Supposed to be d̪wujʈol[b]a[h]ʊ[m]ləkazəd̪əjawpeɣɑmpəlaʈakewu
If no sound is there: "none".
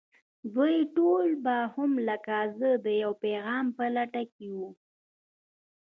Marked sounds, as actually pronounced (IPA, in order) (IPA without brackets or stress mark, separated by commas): b, h, m